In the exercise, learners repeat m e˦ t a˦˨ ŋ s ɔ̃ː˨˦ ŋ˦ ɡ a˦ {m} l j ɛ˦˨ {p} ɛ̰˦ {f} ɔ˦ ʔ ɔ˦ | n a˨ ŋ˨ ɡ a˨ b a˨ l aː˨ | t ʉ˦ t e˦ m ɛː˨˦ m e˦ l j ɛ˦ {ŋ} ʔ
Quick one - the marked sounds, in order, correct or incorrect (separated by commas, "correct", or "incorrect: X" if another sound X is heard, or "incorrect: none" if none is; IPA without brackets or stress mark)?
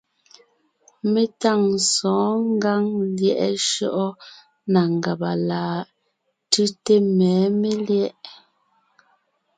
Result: incorrect: ŋ, incorrect: ʔ, incorrect: ʃ, incorrect: none